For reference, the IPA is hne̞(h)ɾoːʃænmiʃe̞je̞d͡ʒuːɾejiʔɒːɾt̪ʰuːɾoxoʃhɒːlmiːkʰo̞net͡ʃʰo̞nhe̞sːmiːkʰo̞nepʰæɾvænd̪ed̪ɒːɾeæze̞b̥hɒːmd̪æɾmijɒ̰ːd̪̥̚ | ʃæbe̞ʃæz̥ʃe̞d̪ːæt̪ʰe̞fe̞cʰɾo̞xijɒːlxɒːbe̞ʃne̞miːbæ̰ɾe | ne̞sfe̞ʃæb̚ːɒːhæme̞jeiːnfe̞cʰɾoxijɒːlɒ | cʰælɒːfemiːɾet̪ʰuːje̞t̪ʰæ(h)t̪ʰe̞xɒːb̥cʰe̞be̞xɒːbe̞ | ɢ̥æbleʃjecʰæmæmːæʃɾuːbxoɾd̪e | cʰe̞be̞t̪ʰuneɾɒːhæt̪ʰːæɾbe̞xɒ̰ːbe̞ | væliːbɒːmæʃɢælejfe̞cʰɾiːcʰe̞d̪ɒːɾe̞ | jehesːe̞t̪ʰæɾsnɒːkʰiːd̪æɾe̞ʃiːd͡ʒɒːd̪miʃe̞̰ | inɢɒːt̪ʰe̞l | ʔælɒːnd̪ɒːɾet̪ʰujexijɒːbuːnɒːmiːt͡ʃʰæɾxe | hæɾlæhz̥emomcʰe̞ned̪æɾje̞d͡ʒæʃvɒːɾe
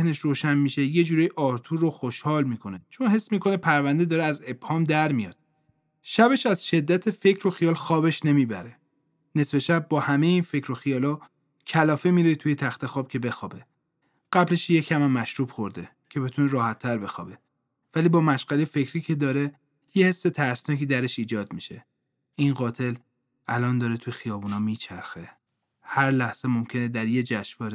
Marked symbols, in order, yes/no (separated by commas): no, no